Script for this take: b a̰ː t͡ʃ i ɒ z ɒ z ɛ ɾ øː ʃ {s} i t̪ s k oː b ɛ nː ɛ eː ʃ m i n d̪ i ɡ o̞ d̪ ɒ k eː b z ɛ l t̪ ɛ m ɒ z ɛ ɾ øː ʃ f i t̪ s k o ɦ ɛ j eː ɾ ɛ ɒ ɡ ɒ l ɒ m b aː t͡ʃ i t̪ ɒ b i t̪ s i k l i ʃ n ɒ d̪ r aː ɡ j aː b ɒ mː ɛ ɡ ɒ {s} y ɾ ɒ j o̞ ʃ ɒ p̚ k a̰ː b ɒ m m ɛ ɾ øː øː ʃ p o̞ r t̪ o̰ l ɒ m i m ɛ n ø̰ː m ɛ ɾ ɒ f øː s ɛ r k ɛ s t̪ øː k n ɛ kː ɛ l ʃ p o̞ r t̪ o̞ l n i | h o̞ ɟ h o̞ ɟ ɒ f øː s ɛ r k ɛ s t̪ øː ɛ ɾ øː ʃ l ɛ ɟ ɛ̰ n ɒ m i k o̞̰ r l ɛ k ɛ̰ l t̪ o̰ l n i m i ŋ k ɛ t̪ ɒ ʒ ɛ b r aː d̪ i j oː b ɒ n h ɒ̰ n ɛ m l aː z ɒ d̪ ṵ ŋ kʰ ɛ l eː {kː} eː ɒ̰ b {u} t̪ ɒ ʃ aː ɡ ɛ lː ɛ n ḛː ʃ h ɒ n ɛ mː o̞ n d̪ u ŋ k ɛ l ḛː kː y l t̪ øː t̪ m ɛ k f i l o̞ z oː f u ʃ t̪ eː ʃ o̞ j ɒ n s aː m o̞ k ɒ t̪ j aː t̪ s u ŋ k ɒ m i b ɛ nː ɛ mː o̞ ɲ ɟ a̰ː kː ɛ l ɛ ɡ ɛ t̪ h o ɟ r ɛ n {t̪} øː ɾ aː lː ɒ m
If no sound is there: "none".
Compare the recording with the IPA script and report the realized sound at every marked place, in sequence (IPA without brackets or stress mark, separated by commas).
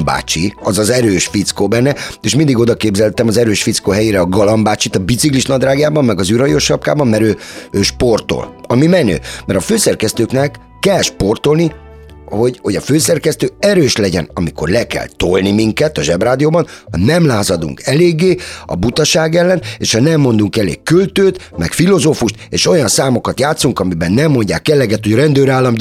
f, z, ɡː, u, d̪